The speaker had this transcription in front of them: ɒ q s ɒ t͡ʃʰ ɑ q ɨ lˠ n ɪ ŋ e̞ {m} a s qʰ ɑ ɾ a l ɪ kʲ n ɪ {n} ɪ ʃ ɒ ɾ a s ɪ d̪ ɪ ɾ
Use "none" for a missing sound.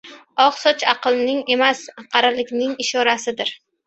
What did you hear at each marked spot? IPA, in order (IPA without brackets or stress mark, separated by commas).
m, ŋ